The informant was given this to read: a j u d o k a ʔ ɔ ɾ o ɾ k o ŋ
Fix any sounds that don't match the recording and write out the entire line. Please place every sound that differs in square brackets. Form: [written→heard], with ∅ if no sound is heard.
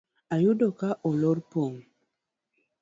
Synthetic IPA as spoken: a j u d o k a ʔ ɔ [ɾ→l] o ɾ [k→p] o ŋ